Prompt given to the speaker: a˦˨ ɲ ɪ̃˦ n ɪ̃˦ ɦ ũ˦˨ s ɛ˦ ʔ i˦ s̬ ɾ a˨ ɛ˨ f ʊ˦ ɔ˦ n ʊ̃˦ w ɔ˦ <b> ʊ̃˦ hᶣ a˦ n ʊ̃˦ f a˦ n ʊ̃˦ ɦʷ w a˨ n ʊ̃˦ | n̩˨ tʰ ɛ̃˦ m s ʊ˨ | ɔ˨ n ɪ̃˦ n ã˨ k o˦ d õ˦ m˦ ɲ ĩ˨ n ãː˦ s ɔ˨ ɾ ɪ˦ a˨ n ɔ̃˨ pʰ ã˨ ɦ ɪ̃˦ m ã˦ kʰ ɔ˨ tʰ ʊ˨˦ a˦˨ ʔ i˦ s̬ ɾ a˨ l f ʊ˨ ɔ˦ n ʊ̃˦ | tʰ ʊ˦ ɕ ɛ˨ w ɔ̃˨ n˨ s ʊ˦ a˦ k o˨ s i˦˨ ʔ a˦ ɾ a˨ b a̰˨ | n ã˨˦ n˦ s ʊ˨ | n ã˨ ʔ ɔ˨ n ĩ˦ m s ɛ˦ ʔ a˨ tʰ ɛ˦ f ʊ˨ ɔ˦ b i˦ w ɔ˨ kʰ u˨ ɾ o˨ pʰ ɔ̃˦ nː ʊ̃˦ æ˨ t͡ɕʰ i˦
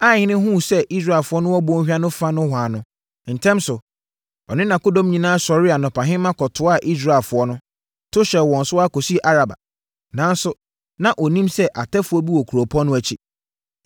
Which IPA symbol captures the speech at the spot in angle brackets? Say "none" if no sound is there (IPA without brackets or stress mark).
b